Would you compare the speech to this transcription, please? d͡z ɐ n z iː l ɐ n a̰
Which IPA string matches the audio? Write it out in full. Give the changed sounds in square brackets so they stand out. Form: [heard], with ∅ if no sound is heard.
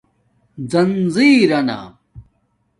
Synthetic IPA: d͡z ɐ n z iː [ɾ] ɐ n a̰